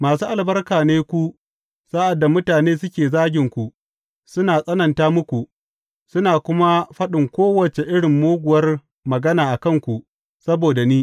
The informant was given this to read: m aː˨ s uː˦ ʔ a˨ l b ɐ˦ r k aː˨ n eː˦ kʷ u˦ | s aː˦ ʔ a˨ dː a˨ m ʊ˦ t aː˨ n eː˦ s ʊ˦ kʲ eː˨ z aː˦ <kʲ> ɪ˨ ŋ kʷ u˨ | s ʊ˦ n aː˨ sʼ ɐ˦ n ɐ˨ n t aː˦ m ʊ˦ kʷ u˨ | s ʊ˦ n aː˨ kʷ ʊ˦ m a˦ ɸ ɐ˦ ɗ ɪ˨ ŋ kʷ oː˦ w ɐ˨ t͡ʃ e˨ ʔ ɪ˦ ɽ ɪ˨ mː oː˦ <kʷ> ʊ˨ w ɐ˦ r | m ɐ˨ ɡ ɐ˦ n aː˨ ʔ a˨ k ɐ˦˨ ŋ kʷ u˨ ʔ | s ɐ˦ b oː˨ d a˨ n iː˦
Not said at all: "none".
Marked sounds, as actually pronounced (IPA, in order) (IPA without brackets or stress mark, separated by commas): ɡʲ, ɡʷ